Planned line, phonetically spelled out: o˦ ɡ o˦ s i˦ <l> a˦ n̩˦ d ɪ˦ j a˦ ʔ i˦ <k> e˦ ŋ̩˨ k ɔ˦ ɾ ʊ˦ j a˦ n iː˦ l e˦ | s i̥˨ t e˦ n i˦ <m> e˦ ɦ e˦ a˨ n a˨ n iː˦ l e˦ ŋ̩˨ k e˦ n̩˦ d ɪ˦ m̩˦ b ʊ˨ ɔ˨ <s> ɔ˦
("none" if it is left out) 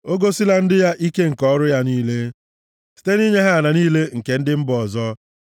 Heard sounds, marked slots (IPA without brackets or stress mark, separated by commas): l, k, ɲ, z